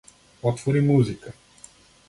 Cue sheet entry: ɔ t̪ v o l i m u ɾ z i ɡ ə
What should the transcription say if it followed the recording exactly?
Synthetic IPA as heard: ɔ t̪ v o ɾ i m u z i k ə